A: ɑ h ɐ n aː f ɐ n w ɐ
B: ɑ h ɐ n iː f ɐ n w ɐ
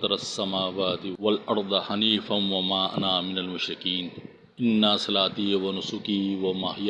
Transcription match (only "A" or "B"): B